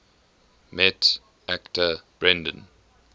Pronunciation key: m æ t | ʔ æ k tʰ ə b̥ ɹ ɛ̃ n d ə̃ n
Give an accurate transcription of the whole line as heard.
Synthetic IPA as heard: m ɛ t | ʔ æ k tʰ ə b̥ ɹ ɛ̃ n d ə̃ n